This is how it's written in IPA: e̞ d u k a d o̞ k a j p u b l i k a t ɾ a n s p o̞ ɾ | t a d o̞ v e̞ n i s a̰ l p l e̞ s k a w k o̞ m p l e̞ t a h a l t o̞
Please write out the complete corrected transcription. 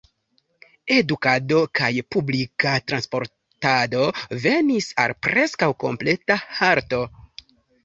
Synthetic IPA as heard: e̞ d u k a d o̞ k a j p u b l i k a t ɾ a n s p o̞ ɾ | t a d o̞ v e̞ n i s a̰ l p ɾ e̞ s k a w k o̞ m p l e̞ t a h a ɾ t o̞